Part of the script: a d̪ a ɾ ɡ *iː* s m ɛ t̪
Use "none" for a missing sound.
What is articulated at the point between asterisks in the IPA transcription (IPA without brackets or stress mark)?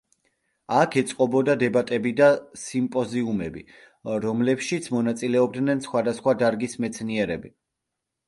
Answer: i